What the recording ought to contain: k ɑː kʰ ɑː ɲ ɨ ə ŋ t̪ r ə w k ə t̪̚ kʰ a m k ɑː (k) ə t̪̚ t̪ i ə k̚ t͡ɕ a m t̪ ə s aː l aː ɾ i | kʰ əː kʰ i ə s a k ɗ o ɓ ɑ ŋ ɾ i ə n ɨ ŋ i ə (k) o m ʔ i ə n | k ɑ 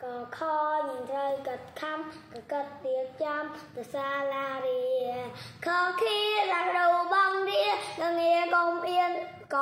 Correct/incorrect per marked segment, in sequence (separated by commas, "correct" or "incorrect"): correct, correct